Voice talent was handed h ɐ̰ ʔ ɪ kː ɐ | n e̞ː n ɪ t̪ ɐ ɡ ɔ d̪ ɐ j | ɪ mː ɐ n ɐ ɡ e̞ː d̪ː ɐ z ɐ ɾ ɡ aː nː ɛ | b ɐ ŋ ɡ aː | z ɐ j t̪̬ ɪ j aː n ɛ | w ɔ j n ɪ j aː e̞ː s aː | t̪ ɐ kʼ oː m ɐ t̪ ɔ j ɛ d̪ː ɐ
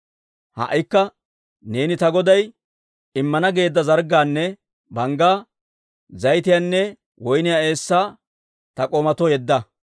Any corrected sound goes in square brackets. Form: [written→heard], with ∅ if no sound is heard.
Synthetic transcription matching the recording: h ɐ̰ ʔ ɪ kː ɐ | n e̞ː n ɪ t̪ ɐ ɡ ɔ d̪ ɐ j | ɪ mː ɐ n ɐ ɡ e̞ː d̪ː ɐ z ɐ ɾ ɡ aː nː ɛ | b ɐ ŋ ɡ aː | z ɐ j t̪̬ ɪ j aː [n→nː] ɛ | w ɔ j n ɪ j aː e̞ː [s→sː] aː | t̪ ɐ kʼ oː m ɐ t̪ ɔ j ɛ d̪ː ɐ

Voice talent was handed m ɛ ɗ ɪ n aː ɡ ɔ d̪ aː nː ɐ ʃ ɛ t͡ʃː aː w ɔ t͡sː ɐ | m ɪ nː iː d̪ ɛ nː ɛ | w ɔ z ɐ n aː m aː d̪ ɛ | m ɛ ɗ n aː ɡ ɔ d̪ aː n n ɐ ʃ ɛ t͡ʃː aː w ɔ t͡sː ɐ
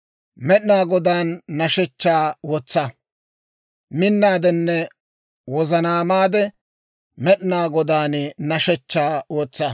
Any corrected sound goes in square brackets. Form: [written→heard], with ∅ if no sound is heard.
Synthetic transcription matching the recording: m ɛ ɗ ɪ n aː ɡ ɔ d̪ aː nː ɐ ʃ ɛ t͡ʃː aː w ɔ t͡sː ɐ | m ɪ nː [iː→aː] d̪ ɛ nː ɛ | w ɔ z ɐ n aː m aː d̪ ɛ | m ɛ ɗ n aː ɡ ɔ d̪ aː n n ɐ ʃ ɛ t͡ʃː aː w ɔ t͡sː ɐ

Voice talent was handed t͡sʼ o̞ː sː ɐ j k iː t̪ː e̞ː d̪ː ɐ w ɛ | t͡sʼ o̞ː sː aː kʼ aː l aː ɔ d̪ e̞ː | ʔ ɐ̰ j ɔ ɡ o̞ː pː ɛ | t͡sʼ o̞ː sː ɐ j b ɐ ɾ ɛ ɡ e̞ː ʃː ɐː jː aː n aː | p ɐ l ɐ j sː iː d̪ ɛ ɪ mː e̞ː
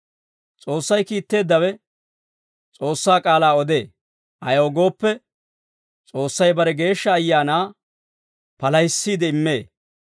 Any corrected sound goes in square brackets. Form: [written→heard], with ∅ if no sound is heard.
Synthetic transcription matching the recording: t͡sʼ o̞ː sː ɐ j k iː t̪ː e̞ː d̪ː ɐ w ɛ | t͡sʼ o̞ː sː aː kʼ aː l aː ɔ d̪ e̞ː | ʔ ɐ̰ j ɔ ɡ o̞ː pː ɛ | t͡sʼ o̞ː sː ɐ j b ɐ ɾ ɛ ɡ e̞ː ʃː ɐː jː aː n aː | p ɐ l ɐ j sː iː d̪ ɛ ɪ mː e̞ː

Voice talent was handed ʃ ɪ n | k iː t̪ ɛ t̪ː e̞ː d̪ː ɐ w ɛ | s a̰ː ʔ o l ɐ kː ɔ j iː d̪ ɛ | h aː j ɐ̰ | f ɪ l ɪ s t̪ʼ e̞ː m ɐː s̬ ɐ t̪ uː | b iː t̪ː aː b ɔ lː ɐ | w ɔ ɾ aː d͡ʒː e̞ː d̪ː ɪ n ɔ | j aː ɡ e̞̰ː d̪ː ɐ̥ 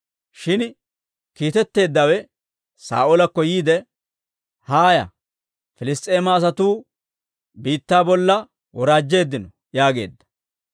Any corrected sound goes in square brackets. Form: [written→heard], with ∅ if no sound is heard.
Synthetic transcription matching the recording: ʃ ɪ n | k iː t̪ ɛ t̪ː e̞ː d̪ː ɐ w ɛ | s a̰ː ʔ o l ɐ kː ɔ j iː d̪ ɛ | h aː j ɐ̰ | f ɪ l ɪ s t̪ʼ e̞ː m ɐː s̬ ɐ t̪ uː | b iː t̪ː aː b ɔ lː ɐ | w ɔ ɾ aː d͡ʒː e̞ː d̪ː ɪ n ɔ | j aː ɡ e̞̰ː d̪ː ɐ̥

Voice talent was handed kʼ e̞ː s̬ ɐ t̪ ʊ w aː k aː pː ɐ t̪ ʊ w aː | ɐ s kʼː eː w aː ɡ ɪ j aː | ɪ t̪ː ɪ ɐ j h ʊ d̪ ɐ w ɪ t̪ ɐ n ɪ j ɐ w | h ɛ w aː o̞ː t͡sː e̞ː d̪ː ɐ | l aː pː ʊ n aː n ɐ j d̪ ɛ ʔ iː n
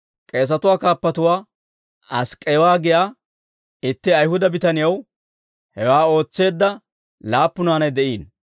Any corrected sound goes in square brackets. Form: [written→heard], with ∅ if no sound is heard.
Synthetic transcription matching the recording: kʼ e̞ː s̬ ɐ t̪ ʊ w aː k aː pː ɐ t̪ ʊ w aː | ɐ s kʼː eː w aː ɡ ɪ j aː | ɪ t̪ː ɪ ɐ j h ʊ d̪ ɐ [w→b] ɪ t̪ ɐ n ɪ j ɐ w | h ɛ w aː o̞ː t͡sː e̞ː d̪ː ɐ | l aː pː ʊ n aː n ɐ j d̪ ɛ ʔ iː n

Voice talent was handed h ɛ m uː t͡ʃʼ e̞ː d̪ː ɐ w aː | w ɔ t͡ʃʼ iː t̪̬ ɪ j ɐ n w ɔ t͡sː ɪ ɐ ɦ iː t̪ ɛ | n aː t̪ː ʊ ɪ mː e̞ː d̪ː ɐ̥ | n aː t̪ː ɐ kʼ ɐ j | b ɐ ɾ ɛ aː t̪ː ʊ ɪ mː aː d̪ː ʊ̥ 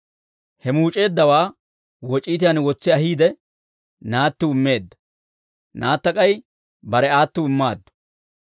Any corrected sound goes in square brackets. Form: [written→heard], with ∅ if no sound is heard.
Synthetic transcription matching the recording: h ɛ m uː t͡ʃʼ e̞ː d̪ː ɐ w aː | w ɔ t͡ʃʼ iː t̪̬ ɪ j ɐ n w ɔ t͡sː ɪ ɐ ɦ iː [t̪→d̪] ɛ | n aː t̪ː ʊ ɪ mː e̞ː d̪ː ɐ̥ | n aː t̪ː ɐ kʼ ɐ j | b ɐ ɾ ɛ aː t̪ː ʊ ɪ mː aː d̪ː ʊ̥

